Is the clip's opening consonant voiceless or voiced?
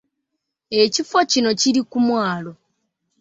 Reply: voiceless